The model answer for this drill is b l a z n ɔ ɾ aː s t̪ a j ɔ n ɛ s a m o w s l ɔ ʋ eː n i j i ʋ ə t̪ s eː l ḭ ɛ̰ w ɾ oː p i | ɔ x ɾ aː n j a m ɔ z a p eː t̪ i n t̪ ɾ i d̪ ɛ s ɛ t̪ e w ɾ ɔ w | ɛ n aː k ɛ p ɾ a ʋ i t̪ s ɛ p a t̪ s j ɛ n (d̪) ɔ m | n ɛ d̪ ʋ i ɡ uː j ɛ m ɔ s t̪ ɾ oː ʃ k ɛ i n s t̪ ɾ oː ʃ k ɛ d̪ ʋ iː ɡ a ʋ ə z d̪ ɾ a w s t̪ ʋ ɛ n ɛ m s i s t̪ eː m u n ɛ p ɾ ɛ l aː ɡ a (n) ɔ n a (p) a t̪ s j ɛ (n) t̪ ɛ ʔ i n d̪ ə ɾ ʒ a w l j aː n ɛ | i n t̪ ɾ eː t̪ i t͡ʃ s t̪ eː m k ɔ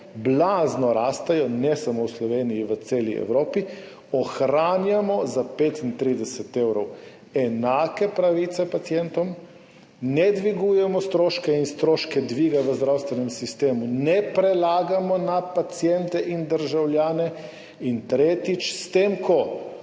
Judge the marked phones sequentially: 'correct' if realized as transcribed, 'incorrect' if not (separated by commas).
incorrect, incorrect, correct, correct